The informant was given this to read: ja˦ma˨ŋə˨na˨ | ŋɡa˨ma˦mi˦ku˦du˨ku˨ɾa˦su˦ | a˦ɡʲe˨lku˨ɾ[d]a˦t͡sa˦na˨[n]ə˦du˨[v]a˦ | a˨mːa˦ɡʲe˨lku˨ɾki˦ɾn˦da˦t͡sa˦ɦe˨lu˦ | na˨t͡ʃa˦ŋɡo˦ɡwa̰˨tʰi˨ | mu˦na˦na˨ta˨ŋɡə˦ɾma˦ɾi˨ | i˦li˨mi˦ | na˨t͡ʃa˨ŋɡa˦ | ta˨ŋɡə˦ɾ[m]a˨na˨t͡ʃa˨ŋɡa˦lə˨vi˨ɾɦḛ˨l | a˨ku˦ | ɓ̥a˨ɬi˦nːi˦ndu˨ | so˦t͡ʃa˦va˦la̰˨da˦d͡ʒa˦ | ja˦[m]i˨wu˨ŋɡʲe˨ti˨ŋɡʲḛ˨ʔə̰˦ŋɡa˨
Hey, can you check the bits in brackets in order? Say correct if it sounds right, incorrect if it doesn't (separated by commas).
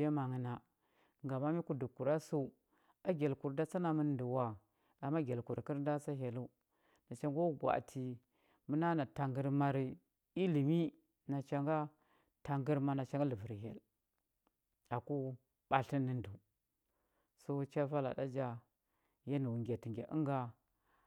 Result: correct, incorrect, incorrect, correct, incorrect